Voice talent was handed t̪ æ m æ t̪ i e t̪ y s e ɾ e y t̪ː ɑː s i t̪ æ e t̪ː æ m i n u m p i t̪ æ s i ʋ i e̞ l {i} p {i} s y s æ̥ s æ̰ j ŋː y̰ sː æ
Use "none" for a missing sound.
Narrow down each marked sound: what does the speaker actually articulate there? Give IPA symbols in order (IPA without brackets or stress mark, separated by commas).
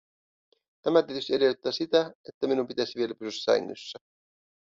æ, y